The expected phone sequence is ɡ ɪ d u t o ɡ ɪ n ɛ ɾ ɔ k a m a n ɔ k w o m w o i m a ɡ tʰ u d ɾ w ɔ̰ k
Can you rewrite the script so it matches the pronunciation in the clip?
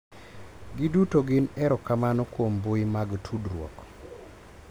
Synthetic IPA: ɡ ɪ d u t o ɡ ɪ n ɛ ɾ ɔ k a m a n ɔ k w o m b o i m a ɡ tʰ u d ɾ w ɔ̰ k